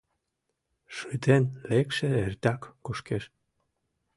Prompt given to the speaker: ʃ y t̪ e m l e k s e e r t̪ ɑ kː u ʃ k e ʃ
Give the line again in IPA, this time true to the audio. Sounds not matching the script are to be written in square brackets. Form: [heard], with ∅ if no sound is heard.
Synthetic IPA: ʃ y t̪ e [n] l e k [ʃ] e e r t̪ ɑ kː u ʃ k e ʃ